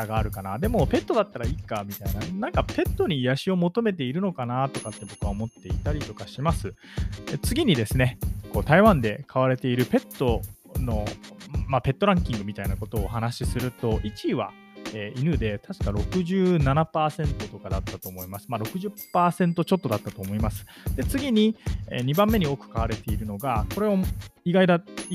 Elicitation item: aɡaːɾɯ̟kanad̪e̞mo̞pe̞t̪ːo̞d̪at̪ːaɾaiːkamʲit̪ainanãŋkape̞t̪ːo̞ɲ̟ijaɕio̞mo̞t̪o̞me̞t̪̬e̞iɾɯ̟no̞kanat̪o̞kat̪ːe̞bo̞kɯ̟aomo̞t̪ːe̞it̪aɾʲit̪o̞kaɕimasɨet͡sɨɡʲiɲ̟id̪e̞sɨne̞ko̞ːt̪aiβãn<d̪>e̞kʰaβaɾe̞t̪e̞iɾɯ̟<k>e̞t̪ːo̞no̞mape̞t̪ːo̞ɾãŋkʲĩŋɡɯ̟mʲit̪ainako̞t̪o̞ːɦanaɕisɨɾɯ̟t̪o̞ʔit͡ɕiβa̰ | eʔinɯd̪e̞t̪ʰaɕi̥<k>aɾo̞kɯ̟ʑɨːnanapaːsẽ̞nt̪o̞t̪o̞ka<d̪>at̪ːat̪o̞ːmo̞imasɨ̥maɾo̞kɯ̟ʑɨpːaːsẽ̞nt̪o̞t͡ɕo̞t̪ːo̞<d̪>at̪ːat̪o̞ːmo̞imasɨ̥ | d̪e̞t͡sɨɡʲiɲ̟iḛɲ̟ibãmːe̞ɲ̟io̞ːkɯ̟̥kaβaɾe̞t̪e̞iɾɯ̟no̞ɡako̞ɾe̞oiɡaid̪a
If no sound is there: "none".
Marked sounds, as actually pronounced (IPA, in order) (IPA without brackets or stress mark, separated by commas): d̪, p, k, d̪, d̪